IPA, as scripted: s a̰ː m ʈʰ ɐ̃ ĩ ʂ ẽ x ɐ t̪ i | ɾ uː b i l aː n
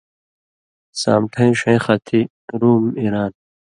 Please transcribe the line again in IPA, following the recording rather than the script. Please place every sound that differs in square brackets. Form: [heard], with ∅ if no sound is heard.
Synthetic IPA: s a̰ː m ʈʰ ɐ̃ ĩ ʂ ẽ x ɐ [t̪ʰ] i | ɾ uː [m] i [ɾ] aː n

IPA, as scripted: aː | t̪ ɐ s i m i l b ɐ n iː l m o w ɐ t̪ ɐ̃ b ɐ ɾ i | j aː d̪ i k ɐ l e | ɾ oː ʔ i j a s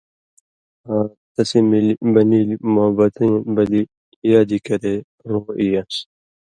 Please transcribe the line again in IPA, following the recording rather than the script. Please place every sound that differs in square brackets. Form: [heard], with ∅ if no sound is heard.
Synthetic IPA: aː | t̪ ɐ s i m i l b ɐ n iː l m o [b] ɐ t̪ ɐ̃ b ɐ [l] i | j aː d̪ i k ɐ [ɾ] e | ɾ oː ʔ i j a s

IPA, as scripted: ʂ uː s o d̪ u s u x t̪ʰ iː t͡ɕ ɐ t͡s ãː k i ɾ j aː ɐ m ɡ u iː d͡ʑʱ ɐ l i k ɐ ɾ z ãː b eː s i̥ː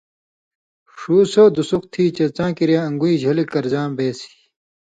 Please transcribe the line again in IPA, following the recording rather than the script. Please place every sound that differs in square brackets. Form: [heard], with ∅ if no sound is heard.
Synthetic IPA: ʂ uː s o d̪ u s u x t̪ʰ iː t͡ɕ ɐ t͡s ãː k i ɾ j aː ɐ [ŋ] ɡ u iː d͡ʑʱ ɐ l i k ɐ ɾ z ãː b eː s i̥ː

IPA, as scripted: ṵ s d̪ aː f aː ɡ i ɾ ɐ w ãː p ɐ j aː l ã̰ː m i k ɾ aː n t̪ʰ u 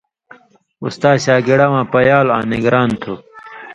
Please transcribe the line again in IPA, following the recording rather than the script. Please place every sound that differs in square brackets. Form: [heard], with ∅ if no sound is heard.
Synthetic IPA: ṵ s [t̪] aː [ɕ] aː ɡ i [ɽ] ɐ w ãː p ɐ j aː l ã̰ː [n] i [ɡ] ɾ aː n t̪ʰ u

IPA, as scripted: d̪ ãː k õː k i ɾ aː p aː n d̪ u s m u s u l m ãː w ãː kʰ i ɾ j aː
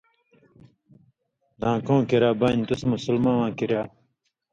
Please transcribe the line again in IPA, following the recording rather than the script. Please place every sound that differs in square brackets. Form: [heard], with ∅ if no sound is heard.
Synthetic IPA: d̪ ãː k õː k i ɾ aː [b] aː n [t̪] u s m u s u l m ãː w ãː [k] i ɾ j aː

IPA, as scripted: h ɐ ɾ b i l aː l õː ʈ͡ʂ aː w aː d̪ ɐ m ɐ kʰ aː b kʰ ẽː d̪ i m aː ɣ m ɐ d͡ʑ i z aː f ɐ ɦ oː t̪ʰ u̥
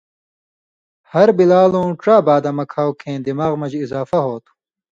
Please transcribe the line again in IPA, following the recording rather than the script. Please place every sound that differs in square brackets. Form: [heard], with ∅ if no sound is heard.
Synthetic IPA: h ɐ ɾ b i l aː l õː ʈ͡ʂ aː [b] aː d̪ ɐ m ɐ kʰ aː [w] kʰ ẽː d̪ i m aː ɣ m ɐ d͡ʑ i z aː f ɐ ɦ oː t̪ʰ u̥

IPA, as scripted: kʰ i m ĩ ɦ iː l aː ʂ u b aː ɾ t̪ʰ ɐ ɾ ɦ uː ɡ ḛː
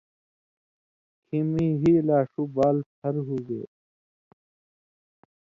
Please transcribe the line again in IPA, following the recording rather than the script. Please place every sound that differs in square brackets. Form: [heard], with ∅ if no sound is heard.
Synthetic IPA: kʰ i m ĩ ɦ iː l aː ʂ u b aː [l] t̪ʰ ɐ ɾ ɦ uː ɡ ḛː

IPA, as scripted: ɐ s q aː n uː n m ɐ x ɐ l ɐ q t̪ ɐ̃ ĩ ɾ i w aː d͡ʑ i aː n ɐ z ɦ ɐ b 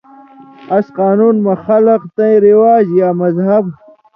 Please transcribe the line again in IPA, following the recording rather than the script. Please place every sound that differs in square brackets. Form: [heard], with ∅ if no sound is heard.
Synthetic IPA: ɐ s q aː n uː n m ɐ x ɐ l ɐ q t̪ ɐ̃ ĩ ɾ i w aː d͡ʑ [j] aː [m] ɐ z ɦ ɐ b

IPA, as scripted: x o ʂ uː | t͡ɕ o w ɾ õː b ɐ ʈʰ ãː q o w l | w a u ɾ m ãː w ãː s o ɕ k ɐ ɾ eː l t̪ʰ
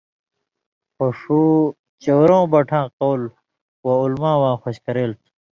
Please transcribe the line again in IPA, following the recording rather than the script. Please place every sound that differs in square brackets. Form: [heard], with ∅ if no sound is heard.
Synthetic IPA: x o ʂ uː | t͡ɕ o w ɾ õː b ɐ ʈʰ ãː q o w l | w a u [l] m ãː w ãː [x] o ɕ k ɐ ɾ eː l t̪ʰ

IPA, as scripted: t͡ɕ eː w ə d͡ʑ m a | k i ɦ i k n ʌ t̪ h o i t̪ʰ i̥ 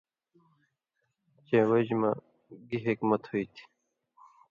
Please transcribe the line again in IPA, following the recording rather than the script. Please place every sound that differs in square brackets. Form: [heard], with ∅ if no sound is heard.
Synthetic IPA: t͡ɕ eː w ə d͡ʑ m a | [ɡ] i ɦ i k [m] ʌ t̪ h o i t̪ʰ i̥

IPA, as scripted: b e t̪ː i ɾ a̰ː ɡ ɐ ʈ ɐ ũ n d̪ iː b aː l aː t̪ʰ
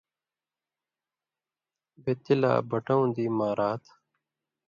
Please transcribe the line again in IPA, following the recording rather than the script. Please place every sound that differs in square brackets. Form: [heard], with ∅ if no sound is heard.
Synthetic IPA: b e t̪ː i [l] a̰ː [b] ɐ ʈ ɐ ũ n d̪ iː [m] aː [ɾ] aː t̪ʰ

